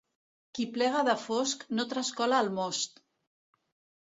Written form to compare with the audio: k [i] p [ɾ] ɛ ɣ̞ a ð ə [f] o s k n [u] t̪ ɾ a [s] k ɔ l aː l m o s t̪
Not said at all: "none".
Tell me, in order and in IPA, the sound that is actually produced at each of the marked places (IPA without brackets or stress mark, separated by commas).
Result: i, l, f, o, s